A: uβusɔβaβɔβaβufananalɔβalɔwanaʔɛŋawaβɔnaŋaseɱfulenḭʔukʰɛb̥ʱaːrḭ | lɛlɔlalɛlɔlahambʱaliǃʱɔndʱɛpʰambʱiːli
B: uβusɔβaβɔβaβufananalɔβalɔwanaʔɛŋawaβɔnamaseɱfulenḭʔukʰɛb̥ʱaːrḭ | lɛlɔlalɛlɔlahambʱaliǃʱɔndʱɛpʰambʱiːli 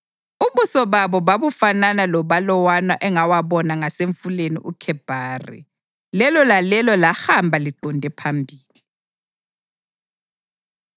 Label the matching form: A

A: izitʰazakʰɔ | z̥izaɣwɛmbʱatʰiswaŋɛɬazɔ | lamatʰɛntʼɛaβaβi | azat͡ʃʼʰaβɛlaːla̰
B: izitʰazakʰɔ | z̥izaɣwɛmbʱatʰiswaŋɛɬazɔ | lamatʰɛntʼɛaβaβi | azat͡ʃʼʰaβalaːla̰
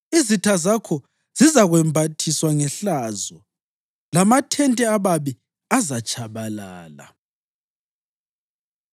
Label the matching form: B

